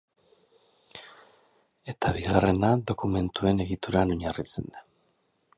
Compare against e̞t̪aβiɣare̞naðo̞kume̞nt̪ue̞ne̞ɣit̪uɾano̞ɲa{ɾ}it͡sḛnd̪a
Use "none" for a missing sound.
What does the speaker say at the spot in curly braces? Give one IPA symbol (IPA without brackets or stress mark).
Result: r